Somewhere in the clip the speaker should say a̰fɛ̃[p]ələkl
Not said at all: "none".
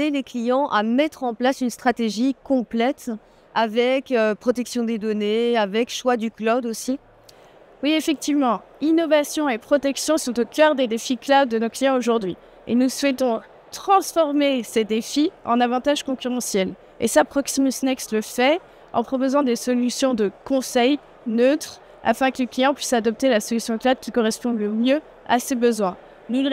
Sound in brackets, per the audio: k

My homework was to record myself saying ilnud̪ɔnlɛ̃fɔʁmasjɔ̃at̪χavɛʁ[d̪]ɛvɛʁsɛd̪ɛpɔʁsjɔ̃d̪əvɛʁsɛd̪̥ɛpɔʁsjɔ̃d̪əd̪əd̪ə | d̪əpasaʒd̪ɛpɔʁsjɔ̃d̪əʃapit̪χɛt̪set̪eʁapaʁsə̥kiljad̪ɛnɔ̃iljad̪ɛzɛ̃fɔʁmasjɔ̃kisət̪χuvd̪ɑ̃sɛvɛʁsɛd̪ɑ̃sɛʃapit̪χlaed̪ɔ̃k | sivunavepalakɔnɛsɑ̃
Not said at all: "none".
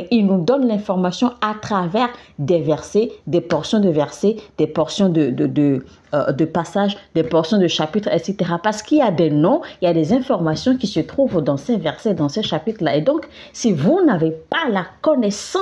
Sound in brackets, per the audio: d̪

